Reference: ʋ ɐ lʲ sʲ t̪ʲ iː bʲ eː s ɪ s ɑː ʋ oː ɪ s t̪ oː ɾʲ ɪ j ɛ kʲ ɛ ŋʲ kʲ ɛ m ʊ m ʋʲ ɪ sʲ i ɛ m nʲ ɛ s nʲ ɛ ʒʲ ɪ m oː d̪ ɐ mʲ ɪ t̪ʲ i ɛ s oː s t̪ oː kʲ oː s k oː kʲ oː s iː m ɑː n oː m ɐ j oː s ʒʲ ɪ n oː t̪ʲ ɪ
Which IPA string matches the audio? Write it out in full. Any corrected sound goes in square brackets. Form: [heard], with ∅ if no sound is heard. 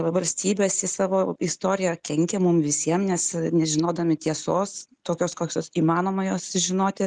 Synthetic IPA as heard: ʋ ɐ lʲ sʲ t̪ʲ iː bʲ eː s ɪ s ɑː ʋ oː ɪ s t̪ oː ɾʲ ɪ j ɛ kʲ ɛ ŋʲ kʲ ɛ m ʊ m ʋʲ ɪ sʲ i ɛ m nʲ ɛ s nʲ ɛ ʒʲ ɪ [n] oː d̪ ɐ mʲ ɪ t̪ʲ i ɛ s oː s t̪ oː kʲ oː s k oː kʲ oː s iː m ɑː n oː m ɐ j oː s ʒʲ ɪ n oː t̪ʲ ɪ